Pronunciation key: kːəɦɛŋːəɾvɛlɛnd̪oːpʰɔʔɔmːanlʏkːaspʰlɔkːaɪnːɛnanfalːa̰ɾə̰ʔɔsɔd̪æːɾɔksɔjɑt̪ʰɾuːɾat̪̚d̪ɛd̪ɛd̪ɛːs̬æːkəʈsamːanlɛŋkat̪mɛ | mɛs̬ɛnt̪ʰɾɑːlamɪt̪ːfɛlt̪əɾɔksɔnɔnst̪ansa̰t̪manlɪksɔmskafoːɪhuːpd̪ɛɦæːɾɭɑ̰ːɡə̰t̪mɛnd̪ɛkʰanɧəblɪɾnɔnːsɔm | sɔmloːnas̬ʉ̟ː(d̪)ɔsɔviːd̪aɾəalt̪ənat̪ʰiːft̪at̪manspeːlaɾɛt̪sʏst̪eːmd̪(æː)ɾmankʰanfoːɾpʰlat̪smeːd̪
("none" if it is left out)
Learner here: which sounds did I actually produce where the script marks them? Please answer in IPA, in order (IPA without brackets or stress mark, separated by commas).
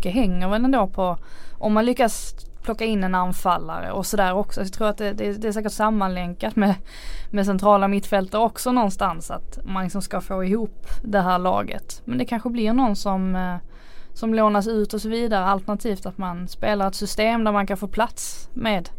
t̪, æ